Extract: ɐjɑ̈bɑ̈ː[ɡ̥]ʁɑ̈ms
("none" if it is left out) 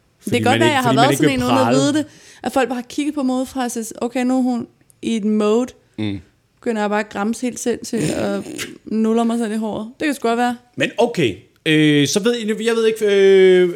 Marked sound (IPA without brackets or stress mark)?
ɡ̥